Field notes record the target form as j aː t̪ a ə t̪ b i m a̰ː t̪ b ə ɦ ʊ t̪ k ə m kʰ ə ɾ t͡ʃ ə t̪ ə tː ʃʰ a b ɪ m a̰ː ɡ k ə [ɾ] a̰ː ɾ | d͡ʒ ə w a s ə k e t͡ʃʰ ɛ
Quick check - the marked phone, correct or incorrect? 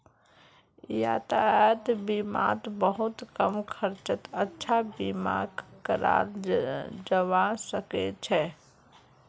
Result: correct